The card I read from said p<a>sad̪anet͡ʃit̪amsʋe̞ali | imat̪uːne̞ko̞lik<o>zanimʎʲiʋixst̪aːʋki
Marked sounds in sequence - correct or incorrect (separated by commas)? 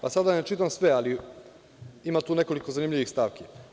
correct, correct